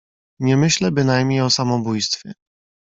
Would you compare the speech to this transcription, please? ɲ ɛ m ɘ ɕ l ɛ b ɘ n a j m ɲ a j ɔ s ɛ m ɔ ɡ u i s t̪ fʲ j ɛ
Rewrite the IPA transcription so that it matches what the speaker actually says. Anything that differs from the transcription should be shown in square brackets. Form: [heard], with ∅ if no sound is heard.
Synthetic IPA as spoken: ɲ ɛ m ɘ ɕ l ɛ b ɘ n a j m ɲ [e] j ɔ s [a] m ɔ [b] u [j] s t̪ fʲ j ɛ